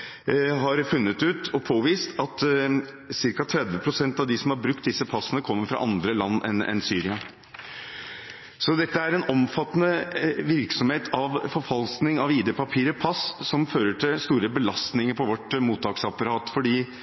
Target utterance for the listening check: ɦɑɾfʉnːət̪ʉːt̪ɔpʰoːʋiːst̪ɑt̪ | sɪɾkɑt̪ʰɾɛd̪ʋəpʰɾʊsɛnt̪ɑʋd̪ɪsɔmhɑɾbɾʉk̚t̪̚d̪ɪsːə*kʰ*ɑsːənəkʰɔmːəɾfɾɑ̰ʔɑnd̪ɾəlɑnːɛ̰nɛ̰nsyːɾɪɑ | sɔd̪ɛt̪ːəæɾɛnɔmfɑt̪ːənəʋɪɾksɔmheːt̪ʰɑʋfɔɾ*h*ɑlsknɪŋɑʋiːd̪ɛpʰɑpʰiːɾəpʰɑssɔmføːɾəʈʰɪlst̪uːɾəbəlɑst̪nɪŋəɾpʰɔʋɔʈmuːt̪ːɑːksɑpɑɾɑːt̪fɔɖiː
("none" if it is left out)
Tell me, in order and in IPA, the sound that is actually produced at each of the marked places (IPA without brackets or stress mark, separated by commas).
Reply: pʰ, f